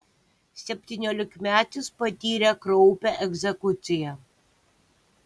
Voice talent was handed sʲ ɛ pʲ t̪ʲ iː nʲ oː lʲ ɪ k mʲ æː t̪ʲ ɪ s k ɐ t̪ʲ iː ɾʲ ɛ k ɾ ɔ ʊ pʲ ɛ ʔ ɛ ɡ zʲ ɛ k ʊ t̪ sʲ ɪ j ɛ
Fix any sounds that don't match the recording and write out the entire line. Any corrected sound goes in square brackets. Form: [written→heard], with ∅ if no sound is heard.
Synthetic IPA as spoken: sʲ ɛ pʲ t̪ʲ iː nʲ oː lʲ ɪ k mʲ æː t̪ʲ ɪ s [k→p] ɐ t̪ʲ iː ɾʲ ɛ k ɾ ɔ ʊ pʲ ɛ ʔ ɛ ɡ zʲ ɛ k ʊ t̪ sʲ ɪ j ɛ